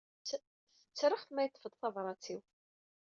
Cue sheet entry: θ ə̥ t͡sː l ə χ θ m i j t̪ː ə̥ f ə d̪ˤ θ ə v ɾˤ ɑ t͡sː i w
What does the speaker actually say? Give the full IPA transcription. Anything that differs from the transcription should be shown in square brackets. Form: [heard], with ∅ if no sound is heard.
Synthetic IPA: θ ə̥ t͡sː [ɾ] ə χ θ m [æ] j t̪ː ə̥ f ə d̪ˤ θ [ɑ] v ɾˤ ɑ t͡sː i w